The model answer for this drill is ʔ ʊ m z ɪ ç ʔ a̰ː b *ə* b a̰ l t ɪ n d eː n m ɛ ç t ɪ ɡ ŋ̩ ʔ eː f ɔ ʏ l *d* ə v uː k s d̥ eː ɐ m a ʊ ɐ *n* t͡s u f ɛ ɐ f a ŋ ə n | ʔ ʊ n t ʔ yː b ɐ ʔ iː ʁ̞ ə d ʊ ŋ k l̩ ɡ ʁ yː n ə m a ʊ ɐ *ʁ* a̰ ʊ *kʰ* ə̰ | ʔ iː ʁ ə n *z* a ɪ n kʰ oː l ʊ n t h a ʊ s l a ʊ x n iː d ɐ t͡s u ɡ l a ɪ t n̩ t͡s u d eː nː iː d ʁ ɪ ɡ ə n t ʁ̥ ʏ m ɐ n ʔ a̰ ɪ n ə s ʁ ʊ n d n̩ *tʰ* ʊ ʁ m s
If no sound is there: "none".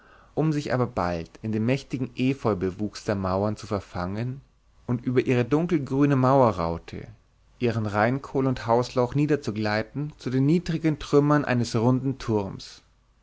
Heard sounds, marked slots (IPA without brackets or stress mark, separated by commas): ɐ, b, n, ʁ, tʰ, ʁ, tʰ